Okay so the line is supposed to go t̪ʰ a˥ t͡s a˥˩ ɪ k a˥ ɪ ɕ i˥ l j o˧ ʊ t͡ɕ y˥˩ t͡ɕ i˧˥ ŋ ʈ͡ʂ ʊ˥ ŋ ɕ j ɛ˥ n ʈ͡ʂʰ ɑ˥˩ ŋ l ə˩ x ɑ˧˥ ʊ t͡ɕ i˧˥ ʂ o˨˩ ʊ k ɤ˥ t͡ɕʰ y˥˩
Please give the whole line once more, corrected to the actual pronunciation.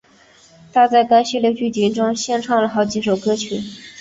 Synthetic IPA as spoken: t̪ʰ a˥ t͡s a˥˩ ɪ k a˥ ɪ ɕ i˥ l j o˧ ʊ t͡ɕ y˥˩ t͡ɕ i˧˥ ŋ ʈ͡ʂ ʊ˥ ŋ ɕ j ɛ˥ n ʈ͡ʂʰ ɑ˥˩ ŋ l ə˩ x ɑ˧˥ ʊ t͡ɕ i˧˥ ʂ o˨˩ ʊ k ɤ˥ t͡ɕʰ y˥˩